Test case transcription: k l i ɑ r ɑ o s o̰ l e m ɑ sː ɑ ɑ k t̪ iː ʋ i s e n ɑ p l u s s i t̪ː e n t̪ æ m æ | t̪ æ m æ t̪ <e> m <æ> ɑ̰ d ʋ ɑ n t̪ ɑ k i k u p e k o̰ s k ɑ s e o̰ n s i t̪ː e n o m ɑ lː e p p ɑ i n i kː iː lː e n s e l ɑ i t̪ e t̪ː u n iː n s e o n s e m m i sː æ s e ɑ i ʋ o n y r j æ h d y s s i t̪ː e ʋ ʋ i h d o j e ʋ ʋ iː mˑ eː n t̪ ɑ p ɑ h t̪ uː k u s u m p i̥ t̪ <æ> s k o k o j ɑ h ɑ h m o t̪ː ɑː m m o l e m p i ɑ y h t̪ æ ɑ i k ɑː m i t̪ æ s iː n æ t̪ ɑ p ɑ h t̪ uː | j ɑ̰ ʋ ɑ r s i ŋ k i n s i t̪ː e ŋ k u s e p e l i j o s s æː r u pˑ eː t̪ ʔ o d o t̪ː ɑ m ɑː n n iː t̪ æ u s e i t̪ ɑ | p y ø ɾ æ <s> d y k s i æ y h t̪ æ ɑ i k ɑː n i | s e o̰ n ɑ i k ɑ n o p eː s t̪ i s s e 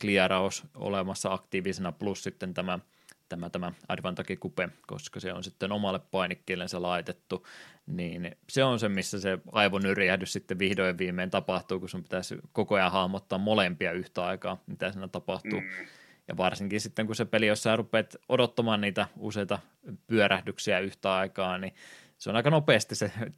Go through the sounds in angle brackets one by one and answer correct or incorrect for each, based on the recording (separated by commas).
incorrect, correct, correct, incorrect